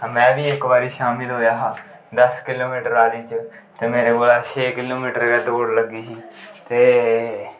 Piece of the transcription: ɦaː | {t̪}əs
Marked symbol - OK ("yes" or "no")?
no